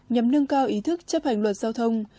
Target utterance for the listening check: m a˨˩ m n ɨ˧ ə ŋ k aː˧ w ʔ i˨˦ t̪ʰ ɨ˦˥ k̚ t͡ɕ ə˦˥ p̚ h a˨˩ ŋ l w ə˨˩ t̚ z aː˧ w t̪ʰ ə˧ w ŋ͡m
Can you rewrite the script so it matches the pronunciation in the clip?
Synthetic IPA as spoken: ɲ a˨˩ m n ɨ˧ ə ŋ k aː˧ w ʔ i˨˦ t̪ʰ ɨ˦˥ k̚ t͡ɕ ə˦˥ p̚ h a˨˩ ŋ l w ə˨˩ t̚ z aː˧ w t̪ʰ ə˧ w ŋ͡m